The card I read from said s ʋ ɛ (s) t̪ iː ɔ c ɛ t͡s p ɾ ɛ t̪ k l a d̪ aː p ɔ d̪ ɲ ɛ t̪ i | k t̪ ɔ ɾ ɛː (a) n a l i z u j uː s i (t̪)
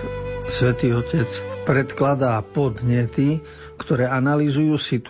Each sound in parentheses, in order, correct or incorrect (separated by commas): incorrect, correct, correct